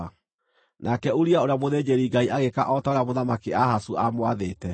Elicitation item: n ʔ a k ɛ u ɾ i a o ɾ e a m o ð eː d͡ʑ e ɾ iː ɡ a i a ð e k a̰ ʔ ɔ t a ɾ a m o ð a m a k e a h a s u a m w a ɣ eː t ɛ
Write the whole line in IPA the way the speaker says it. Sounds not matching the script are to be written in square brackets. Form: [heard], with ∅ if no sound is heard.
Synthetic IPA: n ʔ a k ɛ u ɾ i a o ɾ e a m o ð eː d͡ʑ e ɾ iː ɡ a i a [ɣ] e k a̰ ʔ ɔ t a ɾ a m o ð a m a k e a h a s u a m w a [ð] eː t ɛ